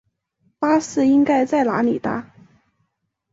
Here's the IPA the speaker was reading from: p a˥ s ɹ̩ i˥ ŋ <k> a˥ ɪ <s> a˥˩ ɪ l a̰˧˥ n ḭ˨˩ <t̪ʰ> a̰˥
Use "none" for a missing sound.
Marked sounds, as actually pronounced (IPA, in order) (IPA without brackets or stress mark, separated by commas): k, t͡s, t̪